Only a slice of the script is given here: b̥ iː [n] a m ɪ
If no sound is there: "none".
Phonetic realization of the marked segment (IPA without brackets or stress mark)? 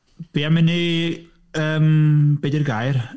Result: none